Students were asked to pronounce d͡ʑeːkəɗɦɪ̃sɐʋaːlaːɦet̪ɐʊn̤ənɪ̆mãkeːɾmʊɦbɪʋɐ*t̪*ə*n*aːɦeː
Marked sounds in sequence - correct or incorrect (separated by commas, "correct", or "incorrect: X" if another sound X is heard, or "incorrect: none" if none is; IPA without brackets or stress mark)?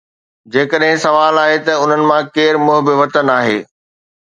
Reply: correct, correct